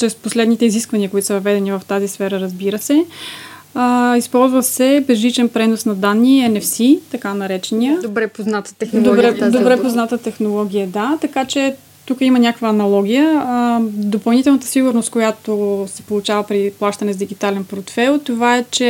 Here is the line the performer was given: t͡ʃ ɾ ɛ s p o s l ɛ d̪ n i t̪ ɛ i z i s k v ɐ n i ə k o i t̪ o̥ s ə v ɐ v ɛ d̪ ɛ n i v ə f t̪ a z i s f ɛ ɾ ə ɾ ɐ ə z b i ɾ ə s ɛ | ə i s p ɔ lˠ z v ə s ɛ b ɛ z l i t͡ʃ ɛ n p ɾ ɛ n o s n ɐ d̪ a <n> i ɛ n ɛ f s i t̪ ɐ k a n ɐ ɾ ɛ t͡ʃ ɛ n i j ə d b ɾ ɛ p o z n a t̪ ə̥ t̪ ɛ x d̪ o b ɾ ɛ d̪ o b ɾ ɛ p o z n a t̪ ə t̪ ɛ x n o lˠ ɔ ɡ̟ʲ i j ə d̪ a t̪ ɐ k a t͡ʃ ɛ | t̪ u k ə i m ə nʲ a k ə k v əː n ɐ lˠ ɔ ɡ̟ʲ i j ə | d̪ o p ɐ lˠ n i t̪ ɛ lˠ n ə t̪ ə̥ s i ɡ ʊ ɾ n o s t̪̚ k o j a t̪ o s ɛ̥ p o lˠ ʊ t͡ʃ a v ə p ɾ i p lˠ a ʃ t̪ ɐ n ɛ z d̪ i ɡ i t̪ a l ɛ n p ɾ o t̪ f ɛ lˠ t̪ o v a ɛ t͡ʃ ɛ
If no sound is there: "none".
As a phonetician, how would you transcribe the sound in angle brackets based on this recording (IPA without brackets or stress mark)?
nː